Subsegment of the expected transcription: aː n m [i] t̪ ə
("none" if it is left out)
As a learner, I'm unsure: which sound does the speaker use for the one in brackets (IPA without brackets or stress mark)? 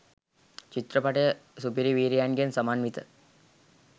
i